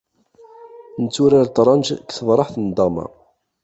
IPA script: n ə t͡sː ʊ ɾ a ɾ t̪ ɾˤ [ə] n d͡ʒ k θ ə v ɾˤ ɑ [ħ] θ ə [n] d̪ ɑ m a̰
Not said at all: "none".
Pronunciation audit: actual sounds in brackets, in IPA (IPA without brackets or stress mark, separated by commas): ɑ, ħ, n